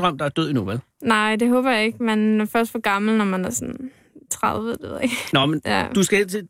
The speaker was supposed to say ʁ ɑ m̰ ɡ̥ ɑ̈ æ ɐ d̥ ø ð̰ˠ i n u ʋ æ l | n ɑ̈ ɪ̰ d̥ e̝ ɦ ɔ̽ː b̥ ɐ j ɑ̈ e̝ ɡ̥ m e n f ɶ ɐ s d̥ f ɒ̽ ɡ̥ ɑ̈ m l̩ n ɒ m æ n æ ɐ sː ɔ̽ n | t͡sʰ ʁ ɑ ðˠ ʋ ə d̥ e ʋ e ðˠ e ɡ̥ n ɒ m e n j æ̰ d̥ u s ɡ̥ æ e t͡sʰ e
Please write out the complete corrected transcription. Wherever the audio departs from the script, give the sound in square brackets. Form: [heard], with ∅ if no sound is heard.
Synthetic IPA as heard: ʁ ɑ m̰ [d̥] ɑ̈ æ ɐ d̥ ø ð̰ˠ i n u ʋ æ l | n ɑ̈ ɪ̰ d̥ e̝ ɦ ɔ̽ː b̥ ɐ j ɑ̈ e̝ ɡ̥ m e n f ɶ ɐ s d̥ f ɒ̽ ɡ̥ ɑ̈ m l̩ n ɒ m æ n æ ɐ [s] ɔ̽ n | t͡sʰ ʁ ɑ ðˠ ʋ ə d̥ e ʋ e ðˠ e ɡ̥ n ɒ m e n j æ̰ d̥ u s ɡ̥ æ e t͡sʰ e